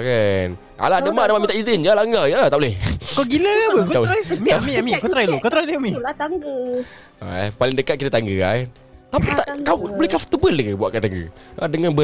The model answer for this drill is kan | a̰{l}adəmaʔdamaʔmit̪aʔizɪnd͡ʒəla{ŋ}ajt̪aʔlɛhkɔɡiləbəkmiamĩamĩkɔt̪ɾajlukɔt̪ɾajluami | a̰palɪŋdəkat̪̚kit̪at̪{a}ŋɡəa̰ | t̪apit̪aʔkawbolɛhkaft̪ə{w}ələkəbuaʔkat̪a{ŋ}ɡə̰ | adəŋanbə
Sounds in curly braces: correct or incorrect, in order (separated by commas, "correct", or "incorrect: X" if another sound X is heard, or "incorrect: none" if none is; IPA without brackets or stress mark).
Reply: correct, correct, correct, incorrect: b, correct